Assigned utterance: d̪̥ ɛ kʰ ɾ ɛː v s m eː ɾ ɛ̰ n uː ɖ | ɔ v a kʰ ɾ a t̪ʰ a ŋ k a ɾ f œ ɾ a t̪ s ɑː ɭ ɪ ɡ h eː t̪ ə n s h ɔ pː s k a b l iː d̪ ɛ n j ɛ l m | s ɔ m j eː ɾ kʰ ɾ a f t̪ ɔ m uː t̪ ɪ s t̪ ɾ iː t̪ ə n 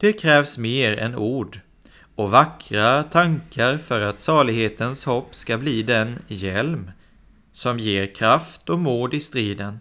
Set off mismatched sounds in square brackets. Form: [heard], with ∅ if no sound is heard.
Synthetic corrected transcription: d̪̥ ɛ kʰ ɾ ɛː v s m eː ɾ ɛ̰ n uː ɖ | ɔ v a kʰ ɾ a t̪ʰ a ŋ k a ɾ f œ ɾ a t̪ s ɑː ɭ ɪ ɡ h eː t̪ ə n s h ɔ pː s k a b l iː d̪ ɛ n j ɛ l m | s ɔ m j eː ɾ kʰ ɾ a f t̪ ɔ m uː [d̪] ɪ s t̪ ɾ iː [d̪] ə n